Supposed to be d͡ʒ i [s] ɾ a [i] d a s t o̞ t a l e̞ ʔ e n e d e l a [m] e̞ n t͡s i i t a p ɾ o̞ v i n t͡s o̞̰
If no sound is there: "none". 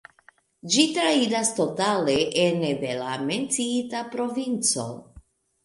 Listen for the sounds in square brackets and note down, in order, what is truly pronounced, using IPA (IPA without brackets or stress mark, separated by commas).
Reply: t, i, m